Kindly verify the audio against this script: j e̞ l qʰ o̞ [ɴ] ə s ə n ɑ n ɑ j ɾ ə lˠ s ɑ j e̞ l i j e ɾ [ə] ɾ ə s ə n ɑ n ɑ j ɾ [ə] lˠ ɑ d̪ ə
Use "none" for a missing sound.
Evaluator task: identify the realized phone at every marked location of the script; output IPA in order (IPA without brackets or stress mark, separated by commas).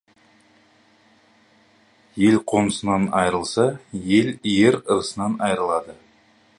n, ə, ə